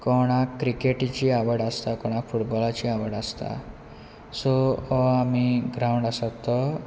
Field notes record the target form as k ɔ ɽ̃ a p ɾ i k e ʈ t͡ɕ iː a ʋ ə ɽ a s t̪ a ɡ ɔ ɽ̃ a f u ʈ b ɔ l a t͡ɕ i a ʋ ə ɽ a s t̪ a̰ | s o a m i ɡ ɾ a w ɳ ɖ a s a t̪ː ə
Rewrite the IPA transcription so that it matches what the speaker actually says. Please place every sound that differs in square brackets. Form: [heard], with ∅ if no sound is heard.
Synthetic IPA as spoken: k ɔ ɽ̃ a [k] ɾ i k e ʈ t͡ɕ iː a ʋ ə ɽ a s t̪ a [k] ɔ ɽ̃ a f u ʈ b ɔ l a t͡ɕ i a ʋ ə ɽ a s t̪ a̰ | s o a m i ɡ ɾ a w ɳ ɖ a s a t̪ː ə